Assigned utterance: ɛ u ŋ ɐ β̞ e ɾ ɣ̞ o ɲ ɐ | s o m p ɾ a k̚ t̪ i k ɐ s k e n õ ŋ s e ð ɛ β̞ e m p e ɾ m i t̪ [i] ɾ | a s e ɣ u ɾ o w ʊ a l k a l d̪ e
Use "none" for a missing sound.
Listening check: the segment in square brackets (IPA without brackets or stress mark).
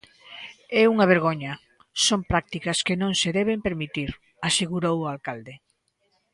i